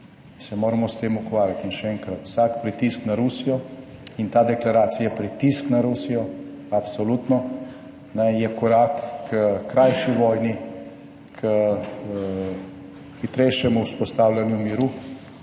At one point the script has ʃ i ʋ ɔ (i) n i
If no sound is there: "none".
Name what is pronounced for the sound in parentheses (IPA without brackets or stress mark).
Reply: j